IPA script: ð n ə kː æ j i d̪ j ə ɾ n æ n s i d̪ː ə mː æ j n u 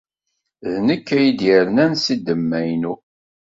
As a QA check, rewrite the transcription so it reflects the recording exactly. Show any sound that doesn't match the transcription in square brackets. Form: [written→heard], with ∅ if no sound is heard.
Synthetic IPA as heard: ð n ə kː æ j i d̪ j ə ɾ n æ n s i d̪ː ə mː æ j n u